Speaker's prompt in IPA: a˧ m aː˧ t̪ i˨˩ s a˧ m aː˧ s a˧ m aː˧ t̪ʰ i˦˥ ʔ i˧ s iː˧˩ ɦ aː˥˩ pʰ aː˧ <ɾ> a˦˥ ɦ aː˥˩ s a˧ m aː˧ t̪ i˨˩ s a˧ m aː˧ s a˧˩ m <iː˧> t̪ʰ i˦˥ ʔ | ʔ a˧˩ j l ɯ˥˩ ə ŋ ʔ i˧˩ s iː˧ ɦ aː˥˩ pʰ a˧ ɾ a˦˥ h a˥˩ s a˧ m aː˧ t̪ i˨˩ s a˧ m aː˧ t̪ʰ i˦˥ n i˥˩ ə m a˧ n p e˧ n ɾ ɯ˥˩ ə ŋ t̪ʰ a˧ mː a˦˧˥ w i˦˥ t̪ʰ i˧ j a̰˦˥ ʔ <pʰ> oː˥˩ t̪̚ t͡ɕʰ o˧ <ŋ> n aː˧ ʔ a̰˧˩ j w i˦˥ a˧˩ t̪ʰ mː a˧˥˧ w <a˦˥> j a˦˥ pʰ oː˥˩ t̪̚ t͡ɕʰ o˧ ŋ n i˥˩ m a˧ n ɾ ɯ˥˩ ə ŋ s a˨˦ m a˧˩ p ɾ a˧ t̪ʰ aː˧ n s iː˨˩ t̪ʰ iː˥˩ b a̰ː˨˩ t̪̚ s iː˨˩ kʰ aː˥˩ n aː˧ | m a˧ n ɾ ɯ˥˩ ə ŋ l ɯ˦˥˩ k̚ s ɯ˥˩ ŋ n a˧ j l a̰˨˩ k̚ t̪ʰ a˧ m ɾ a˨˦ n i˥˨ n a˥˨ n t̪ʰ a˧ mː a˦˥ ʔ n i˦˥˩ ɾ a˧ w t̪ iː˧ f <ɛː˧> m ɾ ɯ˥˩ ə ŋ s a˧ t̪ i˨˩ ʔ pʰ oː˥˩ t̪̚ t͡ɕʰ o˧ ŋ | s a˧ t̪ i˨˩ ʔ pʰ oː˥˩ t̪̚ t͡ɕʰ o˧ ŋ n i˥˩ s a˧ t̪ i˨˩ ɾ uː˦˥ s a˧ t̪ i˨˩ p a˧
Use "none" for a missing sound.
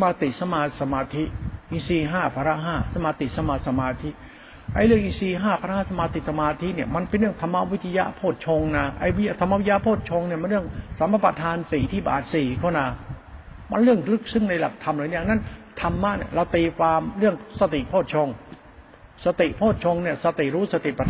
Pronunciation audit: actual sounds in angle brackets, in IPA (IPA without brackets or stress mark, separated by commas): ɾ, aː˧, pʰ, ŋ, i˦˥, aː˧